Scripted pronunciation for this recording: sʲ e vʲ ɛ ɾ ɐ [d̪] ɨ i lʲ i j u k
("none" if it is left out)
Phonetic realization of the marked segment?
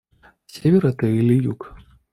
t̪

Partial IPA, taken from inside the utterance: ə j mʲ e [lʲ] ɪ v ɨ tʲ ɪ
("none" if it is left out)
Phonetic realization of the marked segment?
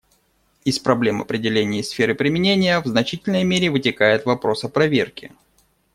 ɾʲ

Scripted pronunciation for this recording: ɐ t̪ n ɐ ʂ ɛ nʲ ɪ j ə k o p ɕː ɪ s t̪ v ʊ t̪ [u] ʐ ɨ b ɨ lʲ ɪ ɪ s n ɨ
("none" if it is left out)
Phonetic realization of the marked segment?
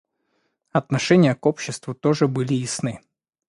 o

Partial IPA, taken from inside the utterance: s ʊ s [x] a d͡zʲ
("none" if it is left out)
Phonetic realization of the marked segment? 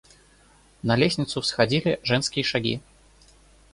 x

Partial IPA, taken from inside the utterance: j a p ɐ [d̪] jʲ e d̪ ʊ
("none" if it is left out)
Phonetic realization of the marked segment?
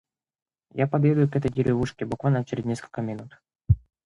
d̪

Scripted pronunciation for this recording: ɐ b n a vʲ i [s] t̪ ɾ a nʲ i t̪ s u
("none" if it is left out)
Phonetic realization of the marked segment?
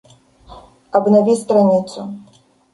s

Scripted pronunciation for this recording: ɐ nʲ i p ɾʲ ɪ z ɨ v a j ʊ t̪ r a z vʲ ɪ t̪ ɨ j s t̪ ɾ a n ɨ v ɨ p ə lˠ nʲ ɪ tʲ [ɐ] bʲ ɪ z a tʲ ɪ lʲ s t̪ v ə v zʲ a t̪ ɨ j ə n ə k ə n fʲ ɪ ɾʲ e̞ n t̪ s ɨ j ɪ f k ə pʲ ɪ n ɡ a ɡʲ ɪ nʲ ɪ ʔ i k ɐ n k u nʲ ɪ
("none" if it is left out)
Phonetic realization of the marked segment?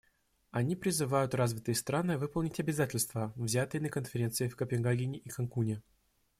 ɐ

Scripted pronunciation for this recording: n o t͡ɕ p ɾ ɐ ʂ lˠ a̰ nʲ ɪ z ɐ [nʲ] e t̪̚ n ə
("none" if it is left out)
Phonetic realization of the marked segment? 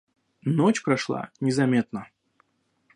mʲ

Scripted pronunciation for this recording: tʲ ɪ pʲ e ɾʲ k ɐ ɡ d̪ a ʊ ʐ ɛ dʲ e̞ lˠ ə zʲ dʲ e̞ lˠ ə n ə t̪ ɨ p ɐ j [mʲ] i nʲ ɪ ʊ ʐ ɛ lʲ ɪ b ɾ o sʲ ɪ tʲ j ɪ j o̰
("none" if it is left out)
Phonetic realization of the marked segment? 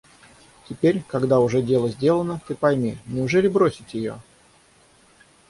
mʲ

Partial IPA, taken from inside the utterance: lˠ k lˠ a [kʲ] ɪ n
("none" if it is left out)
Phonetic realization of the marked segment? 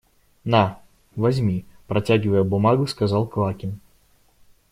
kʲ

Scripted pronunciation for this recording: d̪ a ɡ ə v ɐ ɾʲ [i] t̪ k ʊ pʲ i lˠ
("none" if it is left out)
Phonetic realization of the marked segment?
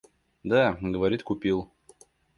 i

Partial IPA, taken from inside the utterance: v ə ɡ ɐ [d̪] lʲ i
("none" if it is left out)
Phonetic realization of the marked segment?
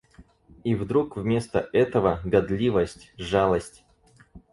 d̪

